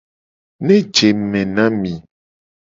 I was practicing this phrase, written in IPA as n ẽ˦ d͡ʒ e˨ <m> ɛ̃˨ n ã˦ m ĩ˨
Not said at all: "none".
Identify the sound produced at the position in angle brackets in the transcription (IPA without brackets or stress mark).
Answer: m